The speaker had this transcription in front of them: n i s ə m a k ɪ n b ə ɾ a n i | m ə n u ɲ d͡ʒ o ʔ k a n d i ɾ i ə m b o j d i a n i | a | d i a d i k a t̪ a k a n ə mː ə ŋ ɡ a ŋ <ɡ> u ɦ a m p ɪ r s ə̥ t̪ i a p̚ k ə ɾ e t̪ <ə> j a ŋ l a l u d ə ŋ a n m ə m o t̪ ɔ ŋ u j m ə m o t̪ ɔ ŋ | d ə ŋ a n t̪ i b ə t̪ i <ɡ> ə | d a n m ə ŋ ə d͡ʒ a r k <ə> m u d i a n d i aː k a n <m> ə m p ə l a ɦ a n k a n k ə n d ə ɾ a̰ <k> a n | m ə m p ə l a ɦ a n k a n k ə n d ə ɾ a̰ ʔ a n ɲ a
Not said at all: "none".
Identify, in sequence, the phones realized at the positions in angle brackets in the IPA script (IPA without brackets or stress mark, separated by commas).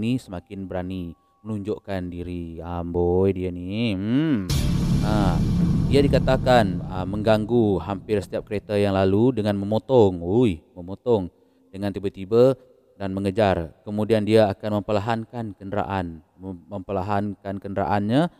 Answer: ɡ, a, b, ə, m, ʔ